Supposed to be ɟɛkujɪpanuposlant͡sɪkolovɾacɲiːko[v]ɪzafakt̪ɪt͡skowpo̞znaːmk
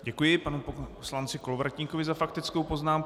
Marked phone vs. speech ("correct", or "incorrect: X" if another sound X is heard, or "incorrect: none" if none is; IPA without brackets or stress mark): correct